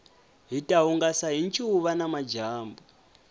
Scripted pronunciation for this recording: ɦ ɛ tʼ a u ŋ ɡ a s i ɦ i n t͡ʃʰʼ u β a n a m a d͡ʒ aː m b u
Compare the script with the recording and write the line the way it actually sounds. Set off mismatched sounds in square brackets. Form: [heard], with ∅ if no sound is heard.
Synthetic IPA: ɦ [i] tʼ a u ŋ ɡ a s [a] ɦ i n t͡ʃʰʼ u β a n a m a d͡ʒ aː m b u